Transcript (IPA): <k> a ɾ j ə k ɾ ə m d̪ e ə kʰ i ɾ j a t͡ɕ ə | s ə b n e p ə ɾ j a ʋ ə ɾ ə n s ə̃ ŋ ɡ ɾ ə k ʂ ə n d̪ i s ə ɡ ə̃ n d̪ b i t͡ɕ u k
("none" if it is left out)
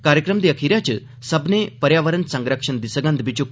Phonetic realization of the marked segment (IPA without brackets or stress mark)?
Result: k